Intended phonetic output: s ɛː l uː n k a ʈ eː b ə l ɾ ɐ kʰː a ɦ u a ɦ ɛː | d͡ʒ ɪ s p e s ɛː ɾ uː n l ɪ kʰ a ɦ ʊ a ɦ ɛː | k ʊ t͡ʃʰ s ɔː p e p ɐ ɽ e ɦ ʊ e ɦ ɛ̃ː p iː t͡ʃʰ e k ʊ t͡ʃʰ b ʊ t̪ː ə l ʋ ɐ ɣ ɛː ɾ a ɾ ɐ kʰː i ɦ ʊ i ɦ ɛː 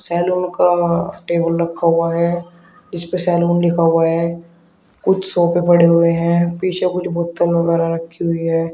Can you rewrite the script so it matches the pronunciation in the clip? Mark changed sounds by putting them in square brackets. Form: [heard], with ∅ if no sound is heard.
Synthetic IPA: s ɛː l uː n k a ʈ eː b ə l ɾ ɐ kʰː a ɦ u a ɦ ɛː | d͡ʒ ɪ s p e s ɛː [l] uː n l ɪ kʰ a ɦ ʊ a ɦ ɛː | k ʊ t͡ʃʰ s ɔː p e p ɐ ɽ e ɦ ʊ e ɦ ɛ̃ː p iː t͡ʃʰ e k ʊ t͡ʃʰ b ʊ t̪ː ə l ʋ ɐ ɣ ɛː ɾ a ɾ ɐ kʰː i ɦ ʊ i ɦ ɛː